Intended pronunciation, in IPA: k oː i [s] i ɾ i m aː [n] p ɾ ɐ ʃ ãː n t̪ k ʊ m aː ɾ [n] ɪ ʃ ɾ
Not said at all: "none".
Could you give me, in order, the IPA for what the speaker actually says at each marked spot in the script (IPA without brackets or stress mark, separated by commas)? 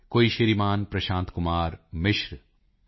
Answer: ʃ, n, m